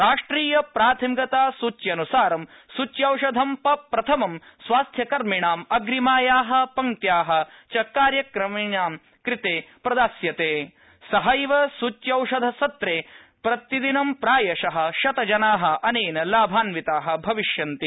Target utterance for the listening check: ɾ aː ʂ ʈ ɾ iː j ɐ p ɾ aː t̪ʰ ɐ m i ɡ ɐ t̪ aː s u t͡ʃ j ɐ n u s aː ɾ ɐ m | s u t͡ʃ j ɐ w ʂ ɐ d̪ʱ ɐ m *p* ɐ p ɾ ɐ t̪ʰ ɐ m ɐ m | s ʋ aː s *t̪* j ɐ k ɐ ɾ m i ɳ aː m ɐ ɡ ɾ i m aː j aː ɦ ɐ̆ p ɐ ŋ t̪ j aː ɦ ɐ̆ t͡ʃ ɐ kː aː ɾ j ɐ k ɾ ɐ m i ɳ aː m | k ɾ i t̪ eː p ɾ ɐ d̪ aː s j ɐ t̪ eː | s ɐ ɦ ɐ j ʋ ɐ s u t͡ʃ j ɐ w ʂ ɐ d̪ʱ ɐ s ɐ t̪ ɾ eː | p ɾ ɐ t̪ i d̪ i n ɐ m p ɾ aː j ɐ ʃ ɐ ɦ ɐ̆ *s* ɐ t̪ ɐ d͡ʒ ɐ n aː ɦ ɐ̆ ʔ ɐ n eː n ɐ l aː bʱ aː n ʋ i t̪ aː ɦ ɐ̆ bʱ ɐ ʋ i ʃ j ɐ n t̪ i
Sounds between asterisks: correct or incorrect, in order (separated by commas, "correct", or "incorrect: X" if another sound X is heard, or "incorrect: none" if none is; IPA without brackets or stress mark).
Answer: correct, incorrect: t̪ʰ, incorrect: ʃ